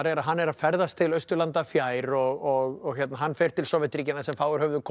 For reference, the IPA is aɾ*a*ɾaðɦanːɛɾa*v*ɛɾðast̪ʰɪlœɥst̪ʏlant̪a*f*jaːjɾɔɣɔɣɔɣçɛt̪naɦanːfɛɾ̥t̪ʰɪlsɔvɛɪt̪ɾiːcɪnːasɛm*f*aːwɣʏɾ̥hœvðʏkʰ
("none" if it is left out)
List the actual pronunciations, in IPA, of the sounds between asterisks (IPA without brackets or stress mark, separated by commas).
ɛ, f, f, f